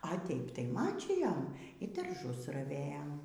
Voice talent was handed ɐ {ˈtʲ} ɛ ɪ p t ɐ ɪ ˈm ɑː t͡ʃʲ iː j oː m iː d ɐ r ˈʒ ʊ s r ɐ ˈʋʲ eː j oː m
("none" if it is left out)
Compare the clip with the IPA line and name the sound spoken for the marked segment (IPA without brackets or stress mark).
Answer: tʲ